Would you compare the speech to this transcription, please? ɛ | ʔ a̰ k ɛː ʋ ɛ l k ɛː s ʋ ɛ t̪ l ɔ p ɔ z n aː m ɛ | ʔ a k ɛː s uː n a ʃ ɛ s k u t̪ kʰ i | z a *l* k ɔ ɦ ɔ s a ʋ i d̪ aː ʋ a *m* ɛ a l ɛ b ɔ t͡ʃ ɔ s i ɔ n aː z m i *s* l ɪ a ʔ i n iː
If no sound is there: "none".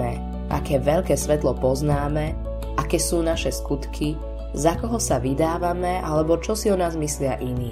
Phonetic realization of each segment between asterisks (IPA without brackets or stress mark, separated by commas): none, m, s